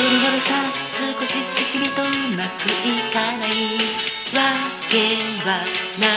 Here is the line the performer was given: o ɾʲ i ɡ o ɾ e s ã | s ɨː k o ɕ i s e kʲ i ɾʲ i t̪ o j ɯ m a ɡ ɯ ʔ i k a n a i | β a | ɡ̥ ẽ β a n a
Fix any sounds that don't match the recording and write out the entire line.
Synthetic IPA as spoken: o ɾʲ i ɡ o ɾ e s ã | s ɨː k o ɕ i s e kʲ i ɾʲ i t̪ o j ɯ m a k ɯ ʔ i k a n a i | β a | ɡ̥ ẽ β a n a